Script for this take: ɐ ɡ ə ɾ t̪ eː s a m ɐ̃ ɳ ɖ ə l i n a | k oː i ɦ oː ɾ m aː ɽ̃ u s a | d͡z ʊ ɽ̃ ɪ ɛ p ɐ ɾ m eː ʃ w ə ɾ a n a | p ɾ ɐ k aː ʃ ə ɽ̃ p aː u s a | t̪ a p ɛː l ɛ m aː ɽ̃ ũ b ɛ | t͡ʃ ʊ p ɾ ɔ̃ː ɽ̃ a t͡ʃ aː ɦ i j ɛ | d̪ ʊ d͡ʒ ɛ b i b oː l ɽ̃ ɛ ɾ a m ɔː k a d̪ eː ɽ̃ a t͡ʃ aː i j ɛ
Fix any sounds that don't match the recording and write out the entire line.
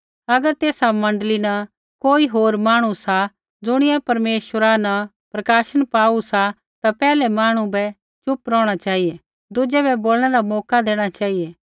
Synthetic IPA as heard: ɐ ɡ ə ɾ t̪ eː s a m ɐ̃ ɳ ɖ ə l i n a | k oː i ɦ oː ɾ m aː ɽ̃ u s a | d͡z ʊ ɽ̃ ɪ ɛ p ɐ ɾ m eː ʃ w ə ɾ a n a | p ɾ ɐ k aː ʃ ə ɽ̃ p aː u s a | t̪ a p ɛː l ɛ m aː ɽ̃ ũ b ɛ | t͡ʃ ʊ p ɾ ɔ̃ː ɽ̃ a t͡ʃ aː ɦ i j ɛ | d̪ ʊ d͡ʒ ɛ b ɛ b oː l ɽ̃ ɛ ɾ a m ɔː k a d̪ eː ɽ̃ a t͡ʃ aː i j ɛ